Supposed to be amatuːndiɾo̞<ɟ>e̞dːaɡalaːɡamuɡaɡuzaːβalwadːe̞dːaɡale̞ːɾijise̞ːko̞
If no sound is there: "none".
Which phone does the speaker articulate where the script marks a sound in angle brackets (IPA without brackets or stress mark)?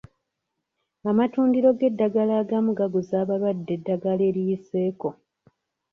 ɡ